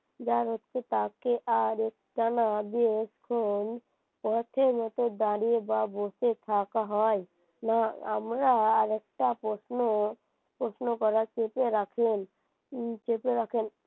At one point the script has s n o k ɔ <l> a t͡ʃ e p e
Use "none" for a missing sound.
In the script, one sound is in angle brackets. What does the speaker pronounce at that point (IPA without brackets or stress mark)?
ɾ